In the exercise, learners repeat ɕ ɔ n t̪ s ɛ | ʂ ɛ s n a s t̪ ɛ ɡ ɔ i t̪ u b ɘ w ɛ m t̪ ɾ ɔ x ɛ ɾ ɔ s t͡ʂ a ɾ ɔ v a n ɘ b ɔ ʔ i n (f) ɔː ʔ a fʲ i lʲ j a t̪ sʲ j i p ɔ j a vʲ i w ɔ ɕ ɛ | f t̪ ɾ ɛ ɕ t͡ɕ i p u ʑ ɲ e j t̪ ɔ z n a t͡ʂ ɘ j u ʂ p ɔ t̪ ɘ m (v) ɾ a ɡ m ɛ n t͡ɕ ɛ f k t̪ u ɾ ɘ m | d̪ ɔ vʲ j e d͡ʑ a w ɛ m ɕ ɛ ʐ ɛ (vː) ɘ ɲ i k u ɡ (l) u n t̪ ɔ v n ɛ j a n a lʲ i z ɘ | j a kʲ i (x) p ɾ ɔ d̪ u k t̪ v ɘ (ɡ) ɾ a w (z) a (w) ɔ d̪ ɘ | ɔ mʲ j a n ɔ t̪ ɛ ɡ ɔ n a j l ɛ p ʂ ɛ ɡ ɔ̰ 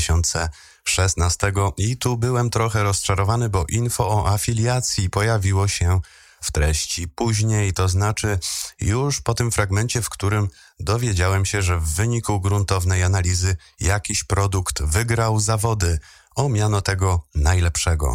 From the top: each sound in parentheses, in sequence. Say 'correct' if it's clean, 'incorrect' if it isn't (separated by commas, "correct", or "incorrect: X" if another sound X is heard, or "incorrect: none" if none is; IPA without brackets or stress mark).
correct, incorrect: f, correct, incorrect: ɾ, incorrect: ɕ, correct, correct, incorrect: v